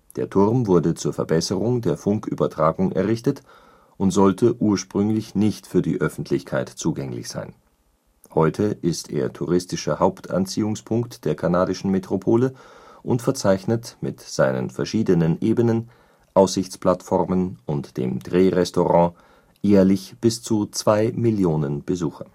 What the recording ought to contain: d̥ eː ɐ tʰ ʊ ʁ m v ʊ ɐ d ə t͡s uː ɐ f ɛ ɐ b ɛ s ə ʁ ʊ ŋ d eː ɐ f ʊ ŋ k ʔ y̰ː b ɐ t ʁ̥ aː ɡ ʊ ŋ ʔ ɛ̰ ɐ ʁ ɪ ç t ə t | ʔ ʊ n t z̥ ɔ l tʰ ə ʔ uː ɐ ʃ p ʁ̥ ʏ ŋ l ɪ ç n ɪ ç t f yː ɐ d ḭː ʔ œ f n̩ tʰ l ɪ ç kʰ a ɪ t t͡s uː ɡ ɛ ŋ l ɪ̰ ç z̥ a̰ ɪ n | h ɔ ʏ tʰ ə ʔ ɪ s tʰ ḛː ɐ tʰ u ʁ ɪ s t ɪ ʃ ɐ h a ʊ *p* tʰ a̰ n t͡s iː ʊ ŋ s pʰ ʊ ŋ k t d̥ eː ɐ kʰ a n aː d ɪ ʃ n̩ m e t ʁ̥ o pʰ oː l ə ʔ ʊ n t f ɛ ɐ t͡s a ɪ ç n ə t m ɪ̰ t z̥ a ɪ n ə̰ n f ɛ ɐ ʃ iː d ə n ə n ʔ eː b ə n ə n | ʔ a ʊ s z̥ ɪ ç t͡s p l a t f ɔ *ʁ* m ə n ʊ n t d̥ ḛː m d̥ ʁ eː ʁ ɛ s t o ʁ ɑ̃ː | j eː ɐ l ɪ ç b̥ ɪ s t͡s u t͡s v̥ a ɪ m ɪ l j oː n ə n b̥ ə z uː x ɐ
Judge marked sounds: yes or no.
yes, yes

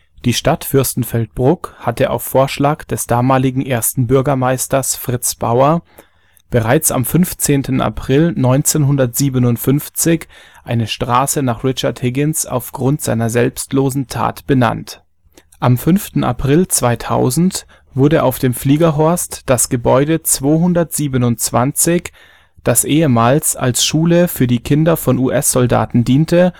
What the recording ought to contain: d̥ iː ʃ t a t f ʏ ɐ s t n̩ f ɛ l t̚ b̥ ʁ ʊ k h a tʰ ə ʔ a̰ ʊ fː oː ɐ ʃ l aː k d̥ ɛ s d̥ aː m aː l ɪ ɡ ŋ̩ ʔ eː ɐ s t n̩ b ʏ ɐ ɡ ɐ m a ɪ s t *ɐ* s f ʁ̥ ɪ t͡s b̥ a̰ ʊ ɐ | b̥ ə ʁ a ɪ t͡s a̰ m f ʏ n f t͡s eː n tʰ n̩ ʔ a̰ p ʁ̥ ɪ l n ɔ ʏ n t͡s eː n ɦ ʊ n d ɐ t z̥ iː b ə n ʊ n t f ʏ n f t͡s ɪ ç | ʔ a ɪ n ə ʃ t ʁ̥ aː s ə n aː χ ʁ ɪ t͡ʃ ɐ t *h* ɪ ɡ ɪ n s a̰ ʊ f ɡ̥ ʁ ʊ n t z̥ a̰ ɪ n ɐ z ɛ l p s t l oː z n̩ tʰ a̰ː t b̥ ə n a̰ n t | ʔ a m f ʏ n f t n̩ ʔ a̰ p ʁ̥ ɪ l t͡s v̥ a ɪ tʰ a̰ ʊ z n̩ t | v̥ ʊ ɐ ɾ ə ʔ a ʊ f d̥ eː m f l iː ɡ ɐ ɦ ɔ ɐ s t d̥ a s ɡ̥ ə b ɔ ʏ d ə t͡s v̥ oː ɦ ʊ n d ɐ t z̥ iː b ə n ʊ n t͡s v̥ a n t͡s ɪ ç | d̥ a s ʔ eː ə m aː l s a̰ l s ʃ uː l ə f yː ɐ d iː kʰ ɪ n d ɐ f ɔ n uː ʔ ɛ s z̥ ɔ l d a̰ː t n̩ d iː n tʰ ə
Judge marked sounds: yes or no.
yes, yes

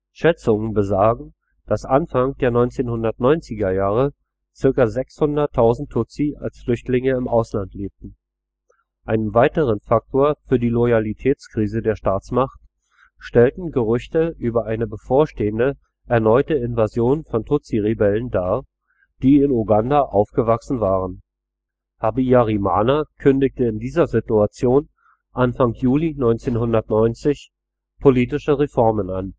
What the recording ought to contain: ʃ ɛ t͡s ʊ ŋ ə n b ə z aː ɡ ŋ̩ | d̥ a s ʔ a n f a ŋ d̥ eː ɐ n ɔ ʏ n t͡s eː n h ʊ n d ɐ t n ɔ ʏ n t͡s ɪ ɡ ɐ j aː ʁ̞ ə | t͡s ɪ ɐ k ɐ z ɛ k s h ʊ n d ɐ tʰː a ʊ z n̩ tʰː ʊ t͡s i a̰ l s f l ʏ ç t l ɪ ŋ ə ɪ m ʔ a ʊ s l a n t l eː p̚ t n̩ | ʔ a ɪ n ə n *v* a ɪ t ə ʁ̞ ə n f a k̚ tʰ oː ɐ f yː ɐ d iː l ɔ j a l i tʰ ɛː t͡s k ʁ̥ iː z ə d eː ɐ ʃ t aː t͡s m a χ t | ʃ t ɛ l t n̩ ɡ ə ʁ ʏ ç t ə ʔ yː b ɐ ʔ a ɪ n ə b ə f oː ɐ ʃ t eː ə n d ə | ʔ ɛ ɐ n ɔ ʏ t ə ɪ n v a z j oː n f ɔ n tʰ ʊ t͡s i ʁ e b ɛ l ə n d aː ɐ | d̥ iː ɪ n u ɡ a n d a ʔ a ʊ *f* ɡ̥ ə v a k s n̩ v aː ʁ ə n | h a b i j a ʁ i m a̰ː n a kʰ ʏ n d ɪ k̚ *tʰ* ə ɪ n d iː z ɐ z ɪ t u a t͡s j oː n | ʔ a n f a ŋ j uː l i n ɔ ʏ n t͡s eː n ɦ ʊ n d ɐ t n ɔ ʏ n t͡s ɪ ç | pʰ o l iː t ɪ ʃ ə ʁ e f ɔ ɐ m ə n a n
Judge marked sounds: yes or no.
yes, yes, no

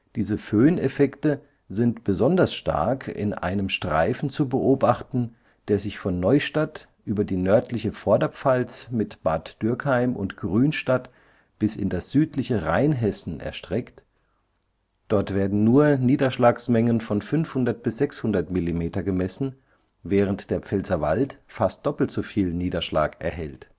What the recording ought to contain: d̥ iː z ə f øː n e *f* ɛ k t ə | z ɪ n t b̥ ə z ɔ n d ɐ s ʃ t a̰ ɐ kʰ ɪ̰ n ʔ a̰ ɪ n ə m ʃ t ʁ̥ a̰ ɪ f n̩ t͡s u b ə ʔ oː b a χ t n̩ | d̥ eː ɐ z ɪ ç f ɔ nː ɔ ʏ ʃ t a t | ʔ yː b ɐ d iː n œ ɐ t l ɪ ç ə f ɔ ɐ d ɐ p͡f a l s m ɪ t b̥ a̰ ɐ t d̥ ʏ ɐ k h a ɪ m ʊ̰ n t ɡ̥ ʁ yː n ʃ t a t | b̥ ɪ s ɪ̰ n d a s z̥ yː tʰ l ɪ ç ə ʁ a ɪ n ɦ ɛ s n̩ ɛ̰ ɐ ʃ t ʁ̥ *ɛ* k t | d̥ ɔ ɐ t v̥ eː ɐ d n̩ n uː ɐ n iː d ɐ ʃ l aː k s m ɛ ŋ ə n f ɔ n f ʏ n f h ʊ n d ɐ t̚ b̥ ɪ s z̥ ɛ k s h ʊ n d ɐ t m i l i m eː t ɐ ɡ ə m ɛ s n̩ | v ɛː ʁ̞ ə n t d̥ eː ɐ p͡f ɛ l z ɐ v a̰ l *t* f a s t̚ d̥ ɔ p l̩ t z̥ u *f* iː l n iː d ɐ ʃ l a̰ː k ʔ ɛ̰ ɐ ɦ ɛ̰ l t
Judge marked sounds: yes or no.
yes, yes, yes, yes

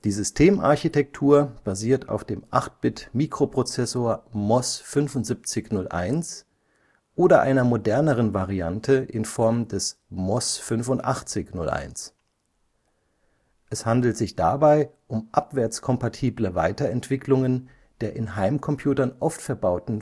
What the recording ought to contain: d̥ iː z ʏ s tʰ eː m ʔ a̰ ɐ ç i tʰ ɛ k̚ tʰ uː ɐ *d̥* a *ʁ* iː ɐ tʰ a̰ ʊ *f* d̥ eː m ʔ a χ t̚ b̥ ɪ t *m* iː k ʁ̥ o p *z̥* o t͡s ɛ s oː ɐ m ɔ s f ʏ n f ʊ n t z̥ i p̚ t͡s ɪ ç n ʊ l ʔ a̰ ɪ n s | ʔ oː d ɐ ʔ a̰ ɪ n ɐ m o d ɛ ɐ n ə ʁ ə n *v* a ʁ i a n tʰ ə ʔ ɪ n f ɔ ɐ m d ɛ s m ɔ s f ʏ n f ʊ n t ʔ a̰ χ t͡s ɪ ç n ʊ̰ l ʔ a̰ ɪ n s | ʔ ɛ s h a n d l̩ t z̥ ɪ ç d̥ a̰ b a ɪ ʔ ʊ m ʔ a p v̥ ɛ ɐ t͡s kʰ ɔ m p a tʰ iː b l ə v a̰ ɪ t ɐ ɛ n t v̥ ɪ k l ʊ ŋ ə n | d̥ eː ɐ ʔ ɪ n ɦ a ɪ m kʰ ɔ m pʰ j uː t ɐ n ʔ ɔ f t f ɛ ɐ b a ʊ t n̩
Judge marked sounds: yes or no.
no, no, yes, yes, no, yes

